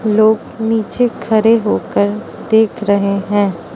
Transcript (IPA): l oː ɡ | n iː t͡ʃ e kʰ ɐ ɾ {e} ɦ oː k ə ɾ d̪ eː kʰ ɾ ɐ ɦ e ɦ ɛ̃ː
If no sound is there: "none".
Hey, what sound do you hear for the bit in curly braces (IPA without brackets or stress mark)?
e